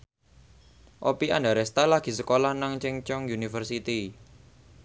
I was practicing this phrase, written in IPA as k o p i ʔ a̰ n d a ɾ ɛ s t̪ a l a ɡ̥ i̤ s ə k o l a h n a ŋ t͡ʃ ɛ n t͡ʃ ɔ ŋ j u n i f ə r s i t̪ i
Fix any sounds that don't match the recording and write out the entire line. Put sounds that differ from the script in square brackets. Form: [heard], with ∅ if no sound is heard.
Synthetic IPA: [ʔ] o p i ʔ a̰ n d a ɾ ɛ s t̪ a l a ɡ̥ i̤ s ə k o l a h n a ŋ t͡ʃ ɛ [ŋ] t͡ʃ ɔ ŋ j u n i f ə r s i t̪ i